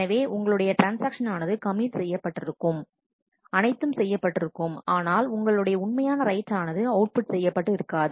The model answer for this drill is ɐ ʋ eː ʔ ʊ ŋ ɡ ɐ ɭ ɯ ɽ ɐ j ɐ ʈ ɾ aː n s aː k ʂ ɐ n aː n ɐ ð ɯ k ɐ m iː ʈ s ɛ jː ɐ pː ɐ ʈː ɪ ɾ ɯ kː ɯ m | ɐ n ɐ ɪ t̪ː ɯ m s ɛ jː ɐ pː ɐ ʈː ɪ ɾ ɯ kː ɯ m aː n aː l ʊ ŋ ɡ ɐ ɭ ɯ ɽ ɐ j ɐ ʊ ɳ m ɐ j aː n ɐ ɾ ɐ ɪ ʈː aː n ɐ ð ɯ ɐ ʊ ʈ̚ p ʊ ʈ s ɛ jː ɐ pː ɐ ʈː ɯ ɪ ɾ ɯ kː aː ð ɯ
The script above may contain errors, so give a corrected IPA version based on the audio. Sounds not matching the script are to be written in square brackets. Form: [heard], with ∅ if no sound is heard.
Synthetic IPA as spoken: ɐ ʋ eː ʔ ʊ ŋ ɡ ɐ ɭ ɯ ɽ ɐ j ɐ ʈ ɾ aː n s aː k ʂ ɐ n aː n ɐ ð ɯ k ɐ m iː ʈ s ɛ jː ɐ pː ɐ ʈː ɪ ɾ ɯ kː ɯ m | ɐ n ɐ ɪ t̪ː ɯ m s ɛ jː ɐ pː ɐ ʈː ɪ ɾ ɯ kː ɯ m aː n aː l ʊ ŋ ɡ ɐ ɭ ɯ ɽ ɐ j ɐ ʊ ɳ m ɐ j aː n ɐ ɾ ɐ ɪ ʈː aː n ɐ ð ɯ ɐ ʊ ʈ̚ p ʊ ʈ s ɛ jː ɐ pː ɐ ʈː ɯ ɪ ɾ ɯ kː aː ð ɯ